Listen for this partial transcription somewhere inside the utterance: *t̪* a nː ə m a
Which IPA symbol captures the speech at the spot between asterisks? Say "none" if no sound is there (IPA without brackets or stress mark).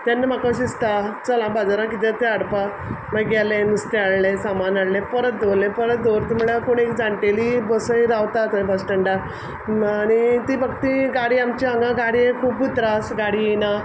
t̪